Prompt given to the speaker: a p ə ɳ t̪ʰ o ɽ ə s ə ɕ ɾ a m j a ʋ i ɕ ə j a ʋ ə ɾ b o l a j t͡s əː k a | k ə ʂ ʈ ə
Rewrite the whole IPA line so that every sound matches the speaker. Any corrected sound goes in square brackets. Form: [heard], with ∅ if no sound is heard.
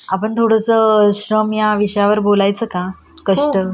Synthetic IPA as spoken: a p ə ɳ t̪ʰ o ɽ ə s ə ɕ ɾ [ə] m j a ʋ i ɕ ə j a ʋ ə ɾ b o l a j t͡s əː k a | k ə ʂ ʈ ə